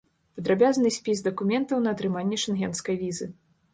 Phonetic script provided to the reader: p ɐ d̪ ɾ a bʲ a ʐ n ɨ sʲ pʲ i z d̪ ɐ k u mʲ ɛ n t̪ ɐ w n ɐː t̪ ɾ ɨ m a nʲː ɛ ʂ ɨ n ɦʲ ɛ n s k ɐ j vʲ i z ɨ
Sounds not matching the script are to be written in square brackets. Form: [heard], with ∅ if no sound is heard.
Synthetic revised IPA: p ɐ d̪ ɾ a bʲ a [z] n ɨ sʲ pʲ i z d̪ ɐ k u mʲ ɛ n t̪ ɐ w n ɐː t̪ ɾ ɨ m a nʲː ɛ ʂ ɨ n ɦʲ ɛ n s k ɐ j vʲ i z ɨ